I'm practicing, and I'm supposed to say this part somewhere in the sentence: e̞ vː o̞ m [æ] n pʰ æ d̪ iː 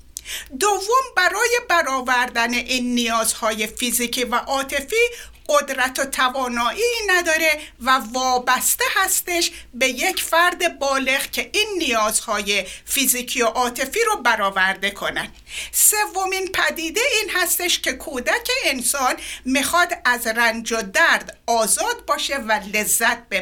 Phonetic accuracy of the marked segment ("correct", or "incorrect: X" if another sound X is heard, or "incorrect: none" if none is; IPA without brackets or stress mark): incorrect: i